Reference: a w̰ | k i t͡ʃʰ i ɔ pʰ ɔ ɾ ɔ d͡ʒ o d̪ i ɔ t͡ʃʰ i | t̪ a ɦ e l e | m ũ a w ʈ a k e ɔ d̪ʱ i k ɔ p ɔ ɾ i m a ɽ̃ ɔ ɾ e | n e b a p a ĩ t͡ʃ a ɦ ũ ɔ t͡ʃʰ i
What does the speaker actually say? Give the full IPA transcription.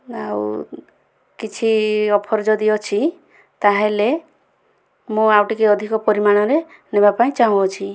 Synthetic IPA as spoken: a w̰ | k i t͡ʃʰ i ɔ pʰ ɔ ɾ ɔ d͡ʒ ɔ d̪ i ɔ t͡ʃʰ i | t̪ a ɦ e l e | m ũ a w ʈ i k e ɔ d̪ʱ i k ɔ p ɔ ɾ i m a ɽ̃ ɔ ɾ e | n e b a p a ĩ t͡ʃ a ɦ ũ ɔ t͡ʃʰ i